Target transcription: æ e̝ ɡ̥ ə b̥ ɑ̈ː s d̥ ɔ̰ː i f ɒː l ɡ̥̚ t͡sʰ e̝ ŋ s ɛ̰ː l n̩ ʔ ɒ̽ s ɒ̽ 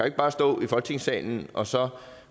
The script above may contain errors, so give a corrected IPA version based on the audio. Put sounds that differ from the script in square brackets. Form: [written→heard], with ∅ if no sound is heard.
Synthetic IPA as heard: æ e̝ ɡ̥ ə b̥ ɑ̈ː s d̥ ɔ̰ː i f [ɒː→ɒ] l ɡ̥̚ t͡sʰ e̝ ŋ s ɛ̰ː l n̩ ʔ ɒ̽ s ɒ̽